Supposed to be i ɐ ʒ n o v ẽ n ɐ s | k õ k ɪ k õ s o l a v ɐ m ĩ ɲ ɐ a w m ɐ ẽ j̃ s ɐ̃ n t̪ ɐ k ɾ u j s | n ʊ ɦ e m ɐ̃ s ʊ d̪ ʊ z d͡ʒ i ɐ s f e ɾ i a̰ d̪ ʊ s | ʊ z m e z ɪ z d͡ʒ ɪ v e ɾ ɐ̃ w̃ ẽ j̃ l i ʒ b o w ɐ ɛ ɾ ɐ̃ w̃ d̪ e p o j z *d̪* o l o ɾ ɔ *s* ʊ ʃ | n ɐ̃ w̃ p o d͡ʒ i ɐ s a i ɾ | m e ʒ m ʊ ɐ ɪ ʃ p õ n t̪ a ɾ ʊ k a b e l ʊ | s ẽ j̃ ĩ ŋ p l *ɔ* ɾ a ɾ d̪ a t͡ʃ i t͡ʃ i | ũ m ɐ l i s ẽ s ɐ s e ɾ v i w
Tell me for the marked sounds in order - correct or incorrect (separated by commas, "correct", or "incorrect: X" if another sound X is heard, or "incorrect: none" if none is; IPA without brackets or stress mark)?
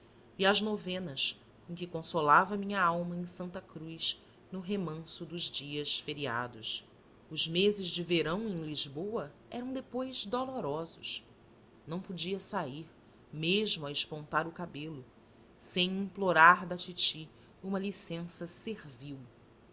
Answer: correct, incorrect: z, incorrect: o